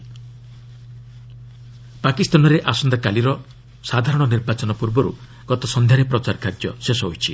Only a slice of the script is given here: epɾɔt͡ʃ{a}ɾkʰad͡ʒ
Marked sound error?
no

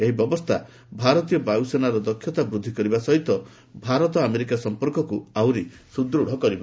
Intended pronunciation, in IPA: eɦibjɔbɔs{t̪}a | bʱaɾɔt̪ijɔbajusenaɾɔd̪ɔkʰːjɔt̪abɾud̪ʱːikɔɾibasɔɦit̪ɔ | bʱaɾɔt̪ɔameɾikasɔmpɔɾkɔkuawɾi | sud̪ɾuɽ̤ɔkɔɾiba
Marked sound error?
yes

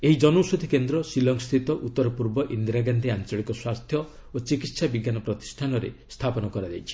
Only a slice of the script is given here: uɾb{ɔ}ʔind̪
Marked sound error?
no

